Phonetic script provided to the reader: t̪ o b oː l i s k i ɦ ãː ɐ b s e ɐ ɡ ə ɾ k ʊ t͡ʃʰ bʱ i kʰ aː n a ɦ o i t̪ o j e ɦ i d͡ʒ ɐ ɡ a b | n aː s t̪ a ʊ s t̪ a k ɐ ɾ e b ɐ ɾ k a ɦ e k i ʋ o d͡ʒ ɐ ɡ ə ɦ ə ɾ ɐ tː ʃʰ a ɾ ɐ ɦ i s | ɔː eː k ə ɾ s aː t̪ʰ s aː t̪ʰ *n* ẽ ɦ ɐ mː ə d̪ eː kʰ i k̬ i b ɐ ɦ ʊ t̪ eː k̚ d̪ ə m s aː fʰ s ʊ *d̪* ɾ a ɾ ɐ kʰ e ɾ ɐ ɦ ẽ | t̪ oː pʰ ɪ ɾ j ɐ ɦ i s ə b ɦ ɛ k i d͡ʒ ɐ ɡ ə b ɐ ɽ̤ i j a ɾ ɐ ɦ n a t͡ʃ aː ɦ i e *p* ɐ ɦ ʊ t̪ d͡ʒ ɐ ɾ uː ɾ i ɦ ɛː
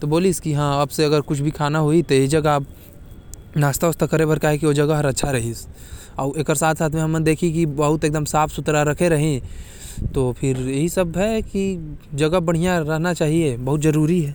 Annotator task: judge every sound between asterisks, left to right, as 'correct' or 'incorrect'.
incorrect, incorrect, incorrect

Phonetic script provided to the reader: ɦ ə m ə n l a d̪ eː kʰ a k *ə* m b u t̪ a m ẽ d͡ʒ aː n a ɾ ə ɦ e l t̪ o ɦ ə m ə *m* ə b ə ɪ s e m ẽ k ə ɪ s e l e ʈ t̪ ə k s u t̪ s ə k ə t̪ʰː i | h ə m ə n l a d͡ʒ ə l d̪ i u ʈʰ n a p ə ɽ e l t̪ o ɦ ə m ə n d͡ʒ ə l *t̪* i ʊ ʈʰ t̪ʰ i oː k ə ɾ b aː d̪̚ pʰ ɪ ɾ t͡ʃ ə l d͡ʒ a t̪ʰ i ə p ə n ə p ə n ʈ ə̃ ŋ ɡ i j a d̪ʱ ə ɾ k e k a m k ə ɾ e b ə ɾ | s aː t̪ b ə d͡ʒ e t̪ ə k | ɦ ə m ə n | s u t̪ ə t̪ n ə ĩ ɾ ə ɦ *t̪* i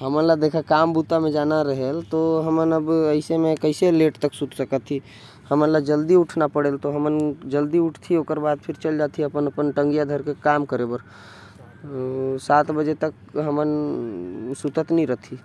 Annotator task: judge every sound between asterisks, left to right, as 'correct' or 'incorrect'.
incorrect, incorrect, incorrect, incorrect

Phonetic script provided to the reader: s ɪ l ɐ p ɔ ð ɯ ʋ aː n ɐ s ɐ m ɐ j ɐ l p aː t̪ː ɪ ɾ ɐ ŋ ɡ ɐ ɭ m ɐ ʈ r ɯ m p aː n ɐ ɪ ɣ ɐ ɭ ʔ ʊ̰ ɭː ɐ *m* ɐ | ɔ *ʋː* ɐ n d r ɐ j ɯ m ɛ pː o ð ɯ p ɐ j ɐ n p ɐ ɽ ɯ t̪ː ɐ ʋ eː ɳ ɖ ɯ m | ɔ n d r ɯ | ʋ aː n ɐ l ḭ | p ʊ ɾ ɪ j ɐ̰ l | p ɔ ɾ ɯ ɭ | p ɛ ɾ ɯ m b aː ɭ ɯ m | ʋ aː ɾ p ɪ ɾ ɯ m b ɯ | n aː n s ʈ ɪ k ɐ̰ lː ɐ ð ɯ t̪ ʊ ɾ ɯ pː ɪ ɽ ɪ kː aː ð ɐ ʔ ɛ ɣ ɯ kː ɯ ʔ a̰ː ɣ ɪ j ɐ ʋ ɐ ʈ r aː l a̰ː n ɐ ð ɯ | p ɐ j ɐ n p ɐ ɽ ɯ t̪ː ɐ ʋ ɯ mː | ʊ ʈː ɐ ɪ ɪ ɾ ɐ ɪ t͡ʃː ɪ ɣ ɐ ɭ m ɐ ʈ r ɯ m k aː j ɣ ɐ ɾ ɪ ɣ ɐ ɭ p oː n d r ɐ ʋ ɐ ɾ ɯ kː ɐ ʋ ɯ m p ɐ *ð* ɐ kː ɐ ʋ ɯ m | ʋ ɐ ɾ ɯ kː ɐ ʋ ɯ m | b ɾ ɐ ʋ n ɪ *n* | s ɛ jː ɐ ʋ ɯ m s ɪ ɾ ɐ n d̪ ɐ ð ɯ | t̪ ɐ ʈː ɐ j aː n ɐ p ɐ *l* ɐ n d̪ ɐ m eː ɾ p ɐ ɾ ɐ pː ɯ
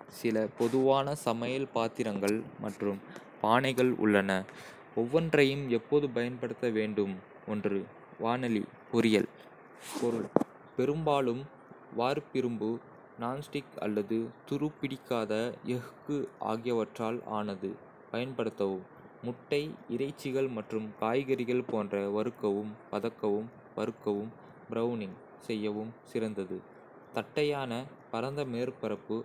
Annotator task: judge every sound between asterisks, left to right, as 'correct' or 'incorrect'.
incorrect, correct, correct, incorrect, incorrect

